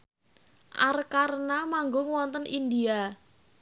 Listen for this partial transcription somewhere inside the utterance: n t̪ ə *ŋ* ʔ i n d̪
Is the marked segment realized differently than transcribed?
yes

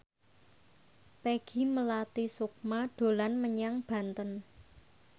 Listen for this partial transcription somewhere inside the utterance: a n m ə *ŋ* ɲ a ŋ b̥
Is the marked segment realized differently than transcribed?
yes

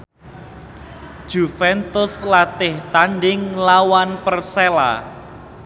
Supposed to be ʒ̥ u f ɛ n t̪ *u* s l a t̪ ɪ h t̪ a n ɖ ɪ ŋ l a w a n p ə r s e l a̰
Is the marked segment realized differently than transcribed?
yes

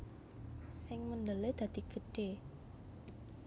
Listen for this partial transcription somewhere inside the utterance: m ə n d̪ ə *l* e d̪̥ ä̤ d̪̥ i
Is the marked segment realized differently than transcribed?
no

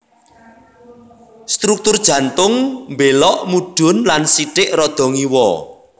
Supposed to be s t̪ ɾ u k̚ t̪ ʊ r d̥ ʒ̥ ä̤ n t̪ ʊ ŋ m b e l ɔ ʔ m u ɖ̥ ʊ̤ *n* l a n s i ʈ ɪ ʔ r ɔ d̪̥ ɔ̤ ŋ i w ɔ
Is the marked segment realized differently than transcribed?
no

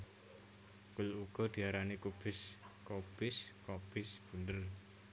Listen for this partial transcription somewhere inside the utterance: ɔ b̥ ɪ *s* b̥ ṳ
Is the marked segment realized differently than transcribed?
no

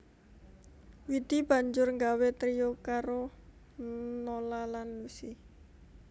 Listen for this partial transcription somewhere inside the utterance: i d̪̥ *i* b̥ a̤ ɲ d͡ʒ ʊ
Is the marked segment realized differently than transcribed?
no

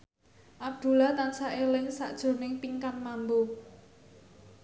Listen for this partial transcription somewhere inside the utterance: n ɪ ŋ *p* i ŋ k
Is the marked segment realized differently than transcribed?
no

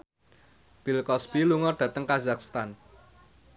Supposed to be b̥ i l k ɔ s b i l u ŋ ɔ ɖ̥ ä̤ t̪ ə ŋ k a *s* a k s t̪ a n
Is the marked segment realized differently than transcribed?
yes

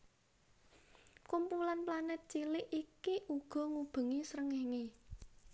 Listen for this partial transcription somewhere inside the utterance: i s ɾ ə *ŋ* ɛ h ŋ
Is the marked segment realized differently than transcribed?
no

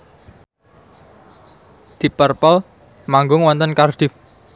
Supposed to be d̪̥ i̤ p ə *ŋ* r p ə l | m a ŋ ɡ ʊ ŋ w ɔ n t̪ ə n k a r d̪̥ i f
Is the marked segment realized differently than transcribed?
yes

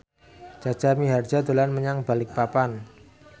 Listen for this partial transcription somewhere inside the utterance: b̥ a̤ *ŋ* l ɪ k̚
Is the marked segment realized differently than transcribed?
yes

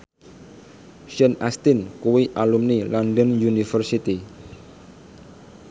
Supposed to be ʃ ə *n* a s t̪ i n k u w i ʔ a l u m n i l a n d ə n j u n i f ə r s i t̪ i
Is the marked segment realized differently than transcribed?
no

